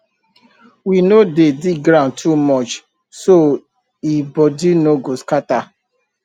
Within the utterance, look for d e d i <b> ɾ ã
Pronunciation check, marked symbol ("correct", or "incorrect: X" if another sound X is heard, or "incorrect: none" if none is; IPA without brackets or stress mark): incorrect: ɡ